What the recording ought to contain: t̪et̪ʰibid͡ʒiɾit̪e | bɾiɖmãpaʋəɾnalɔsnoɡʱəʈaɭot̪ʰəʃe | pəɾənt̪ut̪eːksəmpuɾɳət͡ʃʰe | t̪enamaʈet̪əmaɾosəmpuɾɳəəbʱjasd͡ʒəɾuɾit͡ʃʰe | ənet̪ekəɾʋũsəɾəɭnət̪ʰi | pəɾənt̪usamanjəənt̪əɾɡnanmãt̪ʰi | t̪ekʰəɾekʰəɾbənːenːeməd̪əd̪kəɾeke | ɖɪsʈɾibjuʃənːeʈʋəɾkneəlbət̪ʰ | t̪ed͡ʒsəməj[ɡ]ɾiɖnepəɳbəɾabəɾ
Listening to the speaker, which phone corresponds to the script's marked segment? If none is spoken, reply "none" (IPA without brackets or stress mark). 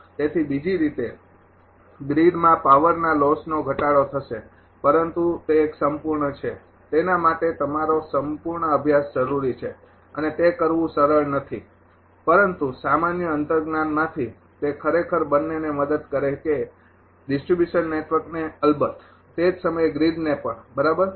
ɡ